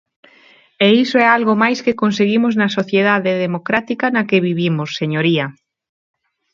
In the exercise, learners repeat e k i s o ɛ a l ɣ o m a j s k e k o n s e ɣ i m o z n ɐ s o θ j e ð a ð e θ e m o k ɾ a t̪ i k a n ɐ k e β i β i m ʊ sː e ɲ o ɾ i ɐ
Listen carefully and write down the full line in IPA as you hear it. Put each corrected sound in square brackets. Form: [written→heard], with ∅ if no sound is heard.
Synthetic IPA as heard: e [k→∅] i s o ɛ a l ɣ o m a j s k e k o n s e ɣ i m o z n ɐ s o θ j e ð a ð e [θ→ð] e m o k ɾ a t̪ i k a n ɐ k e β i β i m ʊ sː e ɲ o ɾ i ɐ

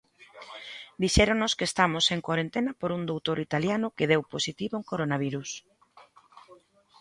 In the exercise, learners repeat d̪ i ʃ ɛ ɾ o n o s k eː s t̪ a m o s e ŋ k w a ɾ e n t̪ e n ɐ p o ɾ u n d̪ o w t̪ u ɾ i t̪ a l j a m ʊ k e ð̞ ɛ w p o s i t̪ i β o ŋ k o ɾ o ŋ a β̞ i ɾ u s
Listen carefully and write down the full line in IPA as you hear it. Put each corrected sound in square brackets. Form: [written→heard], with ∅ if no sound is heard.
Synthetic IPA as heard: d̪ i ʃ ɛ ɾ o n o s k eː s t̪ a m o s e ŋ k w a ɾ e n t̪ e n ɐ p o ɾ u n d̪ o w t̪ [u→o] ɾ i t̪ a l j a [m→n] ʊ k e ð̞ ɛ w p o s i t̪ i β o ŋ k o ɾ o [ŋ→n] a β̞ i ɾ u s

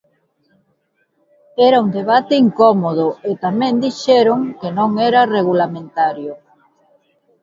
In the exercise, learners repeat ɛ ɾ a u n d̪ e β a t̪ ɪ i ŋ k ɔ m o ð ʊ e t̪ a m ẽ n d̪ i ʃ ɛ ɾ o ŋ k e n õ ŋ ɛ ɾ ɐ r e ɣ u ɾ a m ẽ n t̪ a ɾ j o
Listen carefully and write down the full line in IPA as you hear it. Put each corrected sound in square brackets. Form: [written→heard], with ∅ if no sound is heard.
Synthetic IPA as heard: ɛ ɾ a u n d̪ e β a t̪ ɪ i ŋ k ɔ m o ð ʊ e t̪ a m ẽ n d̪ i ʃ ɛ ɾ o ŋ k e n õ ŋ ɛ ɾ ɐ r e ɣ u [ɾ→l] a m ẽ n t̪ a ɾ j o

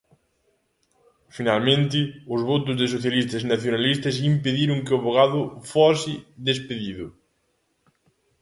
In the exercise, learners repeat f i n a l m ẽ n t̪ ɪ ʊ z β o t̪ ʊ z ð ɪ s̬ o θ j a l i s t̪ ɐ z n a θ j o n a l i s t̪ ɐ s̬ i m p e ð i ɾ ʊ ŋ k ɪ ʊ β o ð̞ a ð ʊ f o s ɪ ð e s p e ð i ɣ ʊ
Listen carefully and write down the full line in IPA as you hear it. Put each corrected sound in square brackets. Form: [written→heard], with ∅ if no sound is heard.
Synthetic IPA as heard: f i n a l m ẽ n t̪ ɪ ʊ z β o t̪ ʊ z ð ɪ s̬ o θ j a l i s t̪ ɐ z n a θ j o n a l i s t̪ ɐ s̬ i m p e ð i ɾ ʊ ŋ k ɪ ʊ β o [ð̞→ɣ̞] a ð ʊ f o s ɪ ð e s p e ð i [ɣ→ð] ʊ

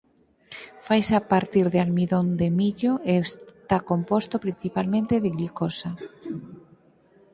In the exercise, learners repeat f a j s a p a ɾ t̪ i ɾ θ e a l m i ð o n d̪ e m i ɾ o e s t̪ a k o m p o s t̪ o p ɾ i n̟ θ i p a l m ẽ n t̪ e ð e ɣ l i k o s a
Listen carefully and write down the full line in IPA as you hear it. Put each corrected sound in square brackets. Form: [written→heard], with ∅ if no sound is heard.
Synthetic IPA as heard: f a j s a p a ɾ t̪ i ɾ [θ→ð] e a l m i ð o n d̪ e m i [ɾ→ʎ] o e s t̪ a k o m p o s t̪ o p ɾ i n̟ θ i p a l m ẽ n t̪ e ð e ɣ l i k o s a

